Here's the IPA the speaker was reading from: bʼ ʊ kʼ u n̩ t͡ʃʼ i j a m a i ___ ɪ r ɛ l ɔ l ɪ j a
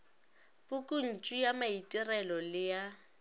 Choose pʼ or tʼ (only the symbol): tʼ